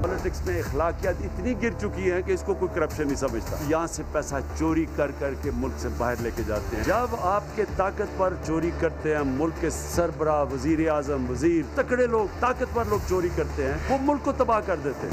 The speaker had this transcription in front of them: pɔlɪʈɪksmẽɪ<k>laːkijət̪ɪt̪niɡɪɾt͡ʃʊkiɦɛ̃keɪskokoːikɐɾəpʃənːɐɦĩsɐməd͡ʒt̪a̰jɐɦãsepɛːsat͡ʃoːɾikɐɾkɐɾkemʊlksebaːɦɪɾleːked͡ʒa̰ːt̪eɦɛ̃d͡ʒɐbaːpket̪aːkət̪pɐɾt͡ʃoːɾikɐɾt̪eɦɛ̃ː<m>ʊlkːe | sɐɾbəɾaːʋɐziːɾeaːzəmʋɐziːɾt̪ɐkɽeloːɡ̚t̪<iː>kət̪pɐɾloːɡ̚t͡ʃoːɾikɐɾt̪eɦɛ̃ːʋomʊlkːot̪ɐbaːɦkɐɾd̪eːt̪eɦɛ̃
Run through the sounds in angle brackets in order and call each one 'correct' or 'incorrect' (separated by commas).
incorrect, correct, incorrect